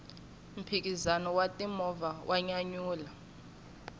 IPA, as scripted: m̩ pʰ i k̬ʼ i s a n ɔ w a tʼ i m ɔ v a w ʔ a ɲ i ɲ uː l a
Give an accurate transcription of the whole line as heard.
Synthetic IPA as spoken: m̩ pʰ i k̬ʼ i z a n ɔ w a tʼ i m ɔ v a w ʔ a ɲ a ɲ uː l a